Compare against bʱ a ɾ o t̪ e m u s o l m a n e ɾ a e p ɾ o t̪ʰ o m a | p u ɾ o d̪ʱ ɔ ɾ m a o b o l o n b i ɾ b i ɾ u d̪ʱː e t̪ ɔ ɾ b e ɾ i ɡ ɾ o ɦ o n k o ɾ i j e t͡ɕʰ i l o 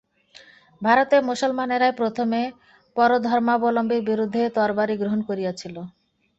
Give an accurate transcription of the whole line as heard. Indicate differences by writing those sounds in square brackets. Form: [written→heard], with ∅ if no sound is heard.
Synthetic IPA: bʱ a ɾ o t̪ e m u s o l m a n e ɾ a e p ɾ o t̪ʰ o m [a→e] | p [u→ɔ] ɾ o d̪ʱ ɔ ɾ m a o b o l o [n→m] b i ɾ b i ɾ u d̪ʱː e t̪ ɔ ɾ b [e→a] ɾ i ɡ ɾ o ɦ o n k o ɾ i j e t͡ɕʰ i l o